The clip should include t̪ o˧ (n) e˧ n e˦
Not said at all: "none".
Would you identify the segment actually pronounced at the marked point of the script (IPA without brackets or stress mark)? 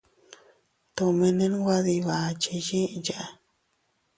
m